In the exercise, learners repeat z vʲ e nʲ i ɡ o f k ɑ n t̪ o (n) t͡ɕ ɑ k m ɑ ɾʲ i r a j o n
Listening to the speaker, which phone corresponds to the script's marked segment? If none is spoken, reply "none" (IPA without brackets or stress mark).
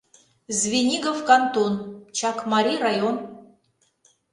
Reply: n